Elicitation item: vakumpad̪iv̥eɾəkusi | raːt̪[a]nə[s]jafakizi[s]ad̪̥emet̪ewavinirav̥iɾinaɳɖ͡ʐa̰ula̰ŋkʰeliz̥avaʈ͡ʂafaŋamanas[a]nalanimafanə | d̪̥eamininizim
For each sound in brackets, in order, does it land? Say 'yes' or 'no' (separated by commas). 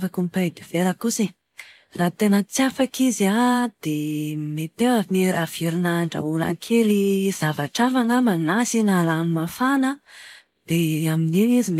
no, no, no, no